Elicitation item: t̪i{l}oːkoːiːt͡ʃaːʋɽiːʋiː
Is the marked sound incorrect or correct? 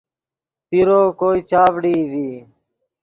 incorrect